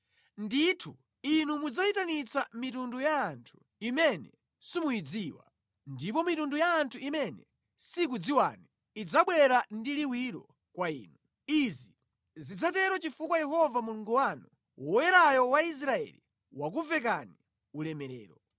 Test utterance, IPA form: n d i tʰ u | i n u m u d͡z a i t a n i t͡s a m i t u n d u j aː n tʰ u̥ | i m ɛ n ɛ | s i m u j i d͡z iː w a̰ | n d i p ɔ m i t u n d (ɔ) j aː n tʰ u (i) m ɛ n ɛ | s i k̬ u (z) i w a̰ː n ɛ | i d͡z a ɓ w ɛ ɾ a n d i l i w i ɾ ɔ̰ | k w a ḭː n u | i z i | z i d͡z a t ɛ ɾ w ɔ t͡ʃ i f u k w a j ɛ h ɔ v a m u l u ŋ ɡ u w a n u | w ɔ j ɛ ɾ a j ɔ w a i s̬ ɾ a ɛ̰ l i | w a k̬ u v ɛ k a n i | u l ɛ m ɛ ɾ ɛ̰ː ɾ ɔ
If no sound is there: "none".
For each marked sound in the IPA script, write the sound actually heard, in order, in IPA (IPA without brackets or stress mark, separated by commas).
u, i, d͡z